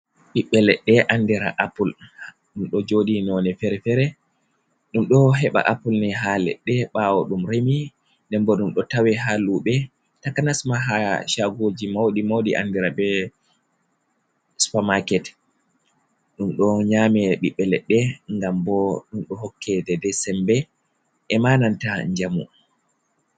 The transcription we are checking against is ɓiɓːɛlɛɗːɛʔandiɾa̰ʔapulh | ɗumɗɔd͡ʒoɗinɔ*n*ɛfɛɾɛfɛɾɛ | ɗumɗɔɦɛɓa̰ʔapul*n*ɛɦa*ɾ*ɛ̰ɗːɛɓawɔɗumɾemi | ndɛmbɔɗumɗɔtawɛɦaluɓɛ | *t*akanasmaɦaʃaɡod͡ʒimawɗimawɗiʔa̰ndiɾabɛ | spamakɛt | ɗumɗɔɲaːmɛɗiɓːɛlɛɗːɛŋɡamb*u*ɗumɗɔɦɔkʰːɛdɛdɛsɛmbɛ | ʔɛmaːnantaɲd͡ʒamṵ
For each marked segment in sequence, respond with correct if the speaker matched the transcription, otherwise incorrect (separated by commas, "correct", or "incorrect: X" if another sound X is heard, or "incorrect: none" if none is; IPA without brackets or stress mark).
correct, correct, incorrect: l, correct, incorrect: ɔ